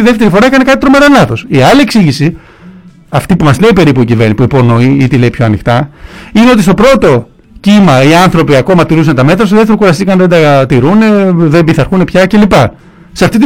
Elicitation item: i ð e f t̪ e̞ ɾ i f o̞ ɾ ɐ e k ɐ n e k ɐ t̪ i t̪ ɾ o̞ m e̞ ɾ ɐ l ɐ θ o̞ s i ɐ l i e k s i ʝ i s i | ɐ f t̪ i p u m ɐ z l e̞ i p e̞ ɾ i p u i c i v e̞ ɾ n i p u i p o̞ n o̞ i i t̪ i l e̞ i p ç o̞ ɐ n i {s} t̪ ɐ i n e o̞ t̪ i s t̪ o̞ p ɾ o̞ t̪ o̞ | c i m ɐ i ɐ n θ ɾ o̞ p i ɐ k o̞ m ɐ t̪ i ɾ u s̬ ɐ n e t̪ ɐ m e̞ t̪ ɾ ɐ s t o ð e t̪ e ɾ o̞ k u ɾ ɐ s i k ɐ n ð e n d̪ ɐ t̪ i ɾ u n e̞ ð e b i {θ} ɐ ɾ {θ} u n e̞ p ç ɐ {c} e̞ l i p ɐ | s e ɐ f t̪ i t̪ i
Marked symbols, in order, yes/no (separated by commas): no, yes, no, yes